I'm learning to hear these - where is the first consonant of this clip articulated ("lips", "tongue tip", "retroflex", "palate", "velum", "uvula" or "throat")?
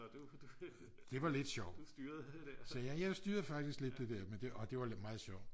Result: tongue tip